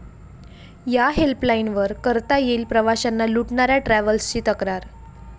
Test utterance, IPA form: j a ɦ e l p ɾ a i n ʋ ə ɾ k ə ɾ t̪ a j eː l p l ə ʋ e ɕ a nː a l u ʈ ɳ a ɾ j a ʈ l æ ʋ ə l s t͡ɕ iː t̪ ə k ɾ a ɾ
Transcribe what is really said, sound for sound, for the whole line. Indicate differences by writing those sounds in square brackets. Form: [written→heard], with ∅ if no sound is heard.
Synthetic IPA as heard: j a ɦ e l p [ɾ→l] a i n ʋ ə ɾ k ə ɾ t̪ a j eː l p [l→ɾ] ə ʋ [e→a] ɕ a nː a l u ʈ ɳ a ɾ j a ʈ [l→ɾ] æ ʋ ə l s t͡ɕ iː t̪ ə k ɾ a ɾ

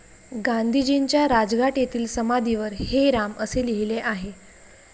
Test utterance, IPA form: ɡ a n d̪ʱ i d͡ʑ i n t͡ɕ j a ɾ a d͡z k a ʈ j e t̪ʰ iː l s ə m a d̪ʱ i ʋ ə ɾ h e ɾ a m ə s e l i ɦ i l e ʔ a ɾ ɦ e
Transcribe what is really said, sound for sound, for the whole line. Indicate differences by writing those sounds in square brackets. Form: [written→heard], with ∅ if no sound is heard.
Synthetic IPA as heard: ɡ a n d̪ʱ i d͡ʑ i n t͡ɕ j a ɾ a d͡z [k→ɡ] a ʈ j e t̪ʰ iː l s ə m a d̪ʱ i ʋ ə ɾ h e ɾ a m ə s e l i ɦ i l e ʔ a [ɾ→∅] ɦ e

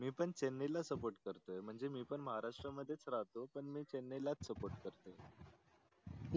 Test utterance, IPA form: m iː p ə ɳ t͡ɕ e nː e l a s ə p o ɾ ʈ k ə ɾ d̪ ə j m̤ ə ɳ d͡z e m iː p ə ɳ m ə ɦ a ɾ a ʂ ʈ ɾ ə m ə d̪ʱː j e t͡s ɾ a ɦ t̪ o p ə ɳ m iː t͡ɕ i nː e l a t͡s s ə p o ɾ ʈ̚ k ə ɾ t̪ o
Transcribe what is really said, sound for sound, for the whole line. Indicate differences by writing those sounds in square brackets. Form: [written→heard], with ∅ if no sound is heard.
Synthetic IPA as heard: m iː p ə ɳ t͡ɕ e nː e l a s ə p o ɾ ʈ k ə ɾ [d̪→t̪] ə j m̤ ə ɳ d͡z e m iː p ə ɳ m ə ɦ a ɾ a ʂ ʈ ɾ ə m ə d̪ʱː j e t͡s ɾ a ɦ t̪ o p ə ɳ m iː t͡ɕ [i→e] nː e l a t͡s s ə p o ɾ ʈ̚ k ə ɾ t̪ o

